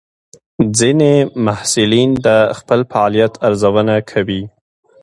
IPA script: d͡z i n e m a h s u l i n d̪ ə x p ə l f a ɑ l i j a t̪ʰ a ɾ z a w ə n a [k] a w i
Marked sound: incorrect: kʰ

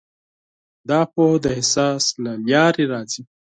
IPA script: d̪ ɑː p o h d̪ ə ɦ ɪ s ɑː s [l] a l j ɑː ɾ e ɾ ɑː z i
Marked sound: correct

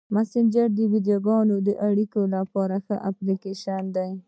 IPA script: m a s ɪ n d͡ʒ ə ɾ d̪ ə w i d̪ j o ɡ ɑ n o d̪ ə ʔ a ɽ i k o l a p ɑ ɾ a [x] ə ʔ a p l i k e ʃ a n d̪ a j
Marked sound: correct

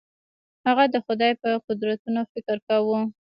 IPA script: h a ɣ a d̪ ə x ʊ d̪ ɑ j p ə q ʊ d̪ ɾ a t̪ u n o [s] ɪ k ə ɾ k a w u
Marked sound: incorrect: f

